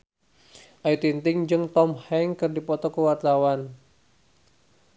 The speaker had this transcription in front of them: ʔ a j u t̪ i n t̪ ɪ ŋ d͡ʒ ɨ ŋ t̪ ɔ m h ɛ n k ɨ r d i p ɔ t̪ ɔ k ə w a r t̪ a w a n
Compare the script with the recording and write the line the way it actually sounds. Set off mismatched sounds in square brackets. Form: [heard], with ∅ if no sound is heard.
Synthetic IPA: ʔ a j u t̪ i n t̪ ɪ ŋ d͡ʒ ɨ ŋ t̪ ɔ m h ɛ [ŋ] k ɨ r d i p ɔ t̪ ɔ k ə w a r t̪ a w a n